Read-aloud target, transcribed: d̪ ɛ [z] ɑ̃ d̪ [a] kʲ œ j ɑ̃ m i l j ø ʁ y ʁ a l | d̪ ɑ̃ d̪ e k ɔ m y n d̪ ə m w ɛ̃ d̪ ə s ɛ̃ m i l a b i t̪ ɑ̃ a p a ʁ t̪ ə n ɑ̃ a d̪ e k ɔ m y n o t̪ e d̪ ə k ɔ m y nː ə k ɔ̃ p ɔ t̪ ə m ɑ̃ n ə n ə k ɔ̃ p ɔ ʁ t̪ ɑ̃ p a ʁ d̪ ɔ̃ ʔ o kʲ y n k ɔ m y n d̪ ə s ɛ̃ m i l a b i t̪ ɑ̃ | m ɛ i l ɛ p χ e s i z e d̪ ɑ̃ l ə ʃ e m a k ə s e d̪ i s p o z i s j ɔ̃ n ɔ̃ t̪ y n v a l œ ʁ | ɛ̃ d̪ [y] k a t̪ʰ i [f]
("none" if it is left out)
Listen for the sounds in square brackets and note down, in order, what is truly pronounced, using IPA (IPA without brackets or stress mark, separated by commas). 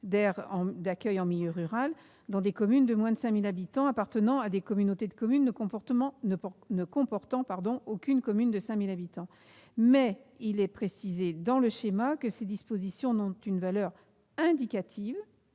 ʁ, a, i, v